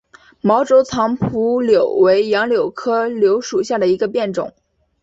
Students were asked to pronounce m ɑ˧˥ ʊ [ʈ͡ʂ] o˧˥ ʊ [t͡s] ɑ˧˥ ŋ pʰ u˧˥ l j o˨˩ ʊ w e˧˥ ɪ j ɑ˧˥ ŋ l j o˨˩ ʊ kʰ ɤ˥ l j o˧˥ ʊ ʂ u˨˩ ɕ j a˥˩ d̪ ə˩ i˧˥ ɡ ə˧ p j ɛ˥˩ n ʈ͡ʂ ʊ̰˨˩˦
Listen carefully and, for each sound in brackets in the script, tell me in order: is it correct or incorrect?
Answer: correct, incorrect

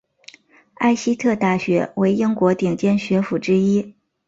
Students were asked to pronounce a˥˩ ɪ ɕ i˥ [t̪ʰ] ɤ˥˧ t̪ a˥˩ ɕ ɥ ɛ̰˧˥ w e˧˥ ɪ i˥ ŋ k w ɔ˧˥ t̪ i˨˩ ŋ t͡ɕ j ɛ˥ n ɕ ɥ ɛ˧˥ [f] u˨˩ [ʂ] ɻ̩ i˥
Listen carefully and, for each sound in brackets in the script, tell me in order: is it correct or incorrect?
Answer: correct, correct, incorrect

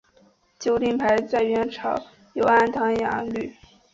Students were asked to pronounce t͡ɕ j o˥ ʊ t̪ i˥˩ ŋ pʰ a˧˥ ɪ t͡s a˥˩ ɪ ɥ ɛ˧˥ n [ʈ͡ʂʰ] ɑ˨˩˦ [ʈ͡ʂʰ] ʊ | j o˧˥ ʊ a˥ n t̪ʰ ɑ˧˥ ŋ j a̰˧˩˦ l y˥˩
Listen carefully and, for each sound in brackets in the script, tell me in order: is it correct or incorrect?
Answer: correct, incorrect

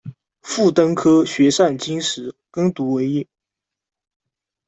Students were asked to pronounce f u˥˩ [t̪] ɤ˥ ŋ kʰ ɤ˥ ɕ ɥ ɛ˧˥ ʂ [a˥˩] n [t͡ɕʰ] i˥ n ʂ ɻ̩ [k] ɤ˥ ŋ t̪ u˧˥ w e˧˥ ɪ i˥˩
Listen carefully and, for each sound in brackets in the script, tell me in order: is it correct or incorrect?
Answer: correct, correct, incorrect, correct

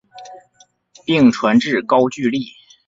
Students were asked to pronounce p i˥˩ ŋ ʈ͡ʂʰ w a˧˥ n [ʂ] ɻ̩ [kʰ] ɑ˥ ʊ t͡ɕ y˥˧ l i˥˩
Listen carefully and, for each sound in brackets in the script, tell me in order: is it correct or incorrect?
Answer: incorrect, incorrect

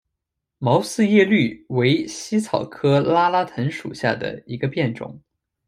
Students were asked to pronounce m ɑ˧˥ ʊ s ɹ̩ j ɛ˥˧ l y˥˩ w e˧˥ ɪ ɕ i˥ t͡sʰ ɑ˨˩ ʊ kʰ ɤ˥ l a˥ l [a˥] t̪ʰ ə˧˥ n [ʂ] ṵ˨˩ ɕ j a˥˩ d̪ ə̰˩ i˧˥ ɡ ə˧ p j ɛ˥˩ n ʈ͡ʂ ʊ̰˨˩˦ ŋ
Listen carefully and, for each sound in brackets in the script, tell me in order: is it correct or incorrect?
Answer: correct, correct

